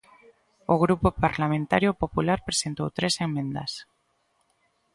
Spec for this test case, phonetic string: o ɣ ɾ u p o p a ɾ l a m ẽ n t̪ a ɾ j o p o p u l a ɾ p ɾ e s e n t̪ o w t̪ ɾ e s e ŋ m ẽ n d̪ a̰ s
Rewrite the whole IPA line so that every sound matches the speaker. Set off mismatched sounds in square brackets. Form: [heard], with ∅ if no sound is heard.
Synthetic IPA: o ɣ ɾ u p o p a ɾ l a m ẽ n t̪ a ɾ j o p o p u l a ɾ p ɾ e s e n t̪ o w t̪ ɾ e s e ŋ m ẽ n d̪ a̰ s